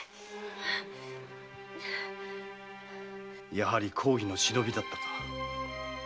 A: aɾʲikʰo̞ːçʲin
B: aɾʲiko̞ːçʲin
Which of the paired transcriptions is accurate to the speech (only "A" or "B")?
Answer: A